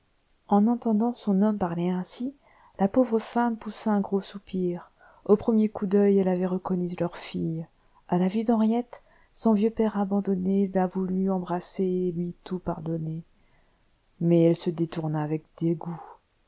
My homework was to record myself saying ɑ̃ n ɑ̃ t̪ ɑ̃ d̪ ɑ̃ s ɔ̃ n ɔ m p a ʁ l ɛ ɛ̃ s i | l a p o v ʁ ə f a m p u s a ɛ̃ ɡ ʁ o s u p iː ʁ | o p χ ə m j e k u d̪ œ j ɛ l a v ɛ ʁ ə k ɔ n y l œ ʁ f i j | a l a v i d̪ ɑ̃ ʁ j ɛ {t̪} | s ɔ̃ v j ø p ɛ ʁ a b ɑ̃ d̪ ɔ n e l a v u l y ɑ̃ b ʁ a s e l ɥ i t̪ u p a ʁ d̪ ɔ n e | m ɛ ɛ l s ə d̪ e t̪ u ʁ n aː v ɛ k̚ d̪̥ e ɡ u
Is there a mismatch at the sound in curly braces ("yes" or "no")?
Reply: no